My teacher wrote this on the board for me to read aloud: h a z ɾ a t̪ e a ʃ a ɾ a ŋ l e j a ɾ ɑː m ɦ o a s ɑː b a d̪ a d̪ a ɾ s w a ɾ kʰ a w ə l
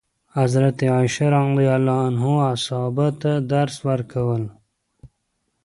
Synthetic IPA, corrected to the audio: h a z ɾ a t̪ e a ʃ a ɾ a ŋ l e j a l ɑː n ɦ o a s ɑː b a t̪ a d̪ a ɾ s w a ɾ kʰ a w ə l